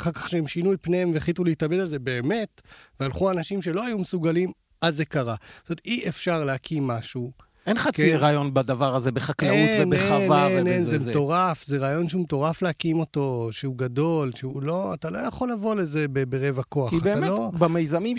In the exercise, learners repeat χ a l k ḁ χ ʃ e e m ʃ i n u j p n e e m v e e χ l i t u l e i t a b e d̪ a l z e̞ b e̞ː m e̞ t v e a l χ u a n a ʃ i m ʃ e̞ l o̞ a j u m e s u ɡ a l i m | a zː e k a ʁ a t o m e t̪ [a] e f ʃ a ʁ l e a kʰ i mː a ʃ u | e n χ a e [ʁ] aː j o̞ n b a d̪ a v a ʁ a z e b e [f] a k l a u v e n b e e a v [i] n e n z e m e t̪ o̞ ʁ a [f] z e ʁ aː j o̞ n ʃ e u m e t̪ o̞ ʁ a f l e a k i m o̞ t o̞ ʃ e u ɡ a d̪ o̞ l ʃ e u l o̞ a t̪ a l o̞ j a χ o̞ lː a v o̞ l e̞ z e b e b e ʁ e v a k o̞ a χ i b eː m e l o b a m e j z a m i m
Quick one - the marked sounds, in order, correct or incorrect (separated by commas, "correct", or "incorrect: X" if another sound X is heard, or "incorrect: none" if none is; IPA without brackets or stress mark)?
incorrect: i, correct, incorrect: χ, incorrect: a, correct